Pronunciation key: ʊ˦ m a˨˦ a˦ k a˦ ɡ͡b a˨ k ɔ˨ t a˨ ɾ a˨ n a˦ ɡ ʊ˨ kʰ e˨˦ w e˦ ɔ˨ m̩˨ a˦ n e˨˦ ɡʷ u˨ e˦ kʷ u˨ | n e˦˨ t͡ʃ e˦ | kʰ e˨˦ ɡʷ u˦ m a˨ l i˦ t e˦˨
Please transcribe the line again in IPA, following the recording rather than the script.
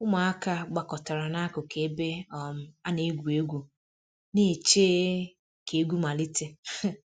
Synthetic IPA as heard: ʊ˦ m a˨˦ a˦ k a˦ ɡ͡b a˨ k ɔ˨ t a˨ ɾ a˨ n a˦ k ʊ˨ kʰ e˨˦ b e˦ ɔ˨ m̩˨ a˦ n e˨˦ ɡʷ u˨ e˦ ɡʷ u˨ | n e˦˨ t͡ʃ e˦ | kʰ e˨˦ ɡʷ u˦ m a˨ l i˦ t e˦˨